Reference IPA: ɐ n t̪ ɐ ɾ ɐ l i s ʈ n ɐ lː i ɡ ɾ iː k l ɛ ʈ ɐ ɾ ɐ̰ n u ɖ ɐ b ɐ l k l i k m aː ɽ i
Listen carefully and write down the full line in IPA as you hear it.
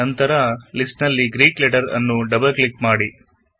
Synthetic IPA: ɐ n t̪ ɐ ɾ ɐ l i s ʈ n ɐ lː i ɡ ɾ iː k l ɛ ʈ ɐ ɾ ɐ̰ nː u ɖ ɐ b ɐ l k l i k m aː ɽ i

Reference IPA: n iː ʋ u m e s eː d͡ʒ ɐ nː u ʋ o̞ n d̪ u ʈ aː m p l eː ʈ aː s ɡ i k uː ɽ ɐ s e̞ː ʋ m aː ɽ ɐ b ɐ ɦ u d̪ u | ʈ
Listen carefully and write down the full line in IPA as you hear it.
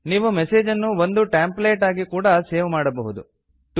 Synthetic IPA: n iː ʋ u m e s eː d͡ʒ ɐ nː u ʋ o̞ n d̪ u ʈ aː m p l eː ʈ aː ɡ i k uː ɽ ɐ s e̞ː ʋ m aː ɽ ɐ b ɐ ɦ u d̪ u | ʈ

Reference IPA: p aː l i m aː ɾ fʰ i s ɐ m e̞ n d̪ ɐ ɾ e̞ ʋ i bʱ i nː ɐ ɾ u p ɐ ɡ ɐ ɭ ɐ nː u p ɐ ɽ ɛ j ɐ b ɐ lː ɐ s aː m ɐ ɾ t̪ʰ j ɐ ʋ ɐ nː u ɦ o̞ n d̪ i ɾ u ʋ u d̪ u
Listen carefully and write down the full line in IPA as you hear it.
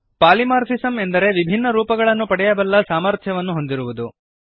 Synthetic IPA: p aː l i m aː ɾ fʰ i s ɐ m e̞ n d̪ ɐ ɾ e̞ ʋ i bʱ i nː ɐ ɾ uː p ɐ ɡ ɐ ɭ ɐ nː u p ɐ ɽ ɛ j ɐ b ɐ lː ɐ s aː m ɐ ɾ t̪ʰ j ɐ ʋ ɐ nː u ɦ o̞ n d̪ i ɾ u ʋ u d̪ u

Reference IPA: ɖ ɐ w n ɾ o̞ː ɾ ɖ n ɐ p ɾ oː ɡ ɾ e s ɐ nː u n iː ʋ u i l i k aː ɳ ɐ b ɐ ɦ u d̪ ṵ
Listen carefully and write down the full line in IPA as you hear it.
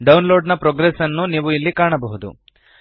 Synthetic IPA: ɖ ɐ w n l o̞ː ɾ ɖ n ɐ p ɾ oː ɡ ɾ e s ɐ nː u n iː ʋ u i lː i k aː ɳ ɐ b ɐ ɦ u d̪ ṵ

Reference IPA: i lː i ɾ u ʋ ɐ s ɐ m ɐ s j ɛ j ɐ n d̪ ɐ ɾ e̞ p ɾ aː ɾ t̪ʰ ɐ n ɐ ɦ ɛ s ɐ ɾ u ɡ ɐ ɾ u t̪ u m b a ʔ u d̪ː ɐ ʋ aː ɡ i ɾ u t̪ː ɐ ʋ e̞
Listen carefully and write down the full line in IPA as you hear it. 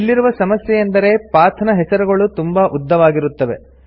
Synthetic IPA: i lː i ɾ u ʋ ɐ s ɐ m ɐ s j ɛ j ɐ n d̪ ɐ ɾ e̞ p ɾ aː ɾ t̪ʰ ɐ n ɐ ɦ ɛ s ɐ ɾ u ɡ ɐ ɭ u t̪ u m b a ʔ u d̪ː ɐ ʋ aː ɡ i ɾ u t̪ː ɐ ʋ e̞

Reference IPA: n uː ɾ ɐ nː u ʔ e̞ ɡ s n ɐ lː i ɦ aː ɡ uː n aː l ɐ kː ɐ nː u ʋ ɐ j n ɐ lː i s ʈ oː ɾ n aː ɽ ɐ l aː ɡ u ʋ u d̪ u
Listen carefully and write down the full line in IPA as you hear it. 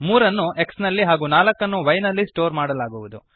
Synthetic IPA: m uː ɾ ɐ nː u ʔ e̞ k s n ɐ lː i ɦ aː ɡ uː n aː l ɐ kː ɐ nː u ʋ ɐ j n ɐ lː i s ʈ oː ɾ m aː ɽ ɐ l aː ɡ u ʋ u d̪ u

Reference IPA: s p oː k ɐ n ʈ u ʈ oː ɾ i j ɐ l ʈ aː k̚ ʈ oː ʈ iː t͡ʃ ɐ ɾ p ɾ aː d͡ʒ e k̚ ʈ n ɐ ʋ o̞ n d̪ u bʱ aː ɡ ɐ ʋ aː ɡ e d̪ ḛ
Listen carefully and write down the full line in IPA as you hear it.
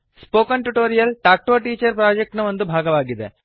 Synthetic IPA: s p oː k ɐ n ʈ u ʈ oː ɾ i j ɐ l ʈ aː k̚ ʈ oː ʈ iː t͡ʃ ɐ ɾ p ɾ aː d͡ʒ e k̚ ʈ n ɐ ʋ o̞ n d̪ u bʱ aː ɡ ɐ ʋ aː ɡ i d̪ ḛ

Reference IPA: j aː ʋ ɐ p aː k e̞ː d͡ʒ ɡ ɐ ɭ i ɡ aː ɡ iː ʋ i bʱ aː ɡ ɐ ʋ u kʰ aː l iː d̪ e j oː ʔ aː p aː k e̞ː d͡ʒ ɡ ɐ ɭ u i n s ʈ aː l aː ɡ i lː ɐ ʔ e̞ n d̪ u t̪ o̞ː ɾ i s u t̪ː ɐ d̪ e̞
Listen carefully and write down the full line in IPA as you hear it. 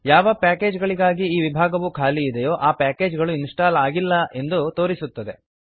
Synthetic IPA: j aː ʋ ɐ p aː k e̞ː d͡ʒ ɡ ɐ ɭ i ɡ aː ɡ iː ʋ i bʱ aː ɡ ɐ ʋ u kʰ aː l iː d̪ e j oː ʔ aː p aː k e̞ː d͡ʒ ɡ ɐ ɭ u i n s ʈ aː l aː ɡ i lː ɐ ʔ e̞ n d̪ u t̪ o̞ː ɾ i s u t̪ː ɐ d̪ e̞

